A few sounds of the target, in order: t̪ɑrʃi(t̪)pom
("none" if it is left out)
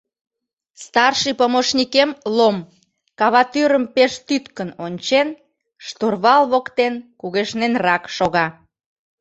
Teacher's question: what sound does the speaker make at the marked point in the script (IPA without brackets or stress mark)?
none